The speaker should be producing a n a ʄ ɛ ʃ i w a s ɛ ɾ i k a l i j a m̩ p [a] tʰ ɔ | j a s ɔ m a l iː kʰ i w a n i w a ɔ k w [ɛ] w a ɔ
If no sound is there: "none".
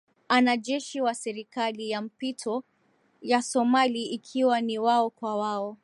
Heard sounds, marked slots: i, a

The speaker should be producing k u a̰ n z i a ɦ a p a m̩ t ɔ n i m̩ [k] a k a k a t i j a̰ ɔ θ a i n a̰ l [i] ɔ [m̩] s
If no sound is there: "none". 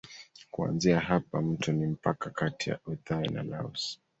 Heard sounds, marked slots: p, a, none

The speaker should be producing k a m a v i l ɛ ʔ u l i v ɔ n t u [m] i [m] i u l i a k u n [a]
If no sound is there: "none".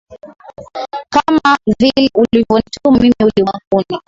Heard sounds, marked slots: m, m, i

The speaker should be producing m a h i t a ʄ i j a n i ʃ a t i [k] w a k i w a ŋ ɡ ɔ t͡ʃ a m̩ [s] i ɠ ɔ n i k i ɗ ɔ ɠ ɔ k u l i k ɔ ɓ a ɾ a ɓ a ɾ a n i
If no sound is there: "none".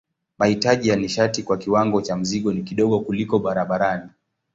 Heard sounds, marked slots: k, z

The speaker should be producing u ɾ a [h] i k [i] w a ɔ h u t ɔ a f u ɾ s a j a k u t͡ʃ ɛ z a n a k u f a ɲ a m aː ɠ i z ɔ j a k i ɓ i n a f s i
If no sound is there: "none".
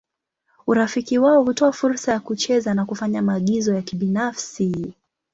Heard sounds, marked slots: f, i

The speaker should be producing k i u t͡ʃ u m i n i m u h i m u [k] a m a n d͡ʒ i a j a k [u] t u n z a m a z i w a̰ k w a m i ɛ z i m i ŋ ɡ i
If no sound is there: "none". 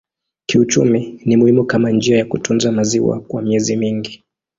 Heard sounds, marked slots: k, u

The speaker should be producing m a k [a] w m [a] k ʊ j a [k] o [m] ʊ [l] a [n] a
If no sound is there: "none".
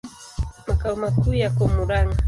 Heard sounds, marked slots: a, a, k, m, ɾ, ŋ

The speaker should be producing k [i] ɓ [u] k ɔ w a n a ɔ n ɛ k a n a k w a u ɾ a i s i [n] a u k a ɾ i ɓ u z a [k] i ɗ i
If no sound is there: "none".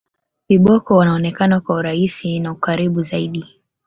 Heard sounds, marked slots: i, ɔ, n, none

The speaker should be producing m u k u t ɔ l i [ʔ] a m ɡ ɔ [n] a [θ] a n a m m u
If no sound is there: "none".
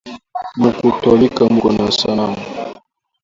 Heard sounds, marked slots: k, n, s

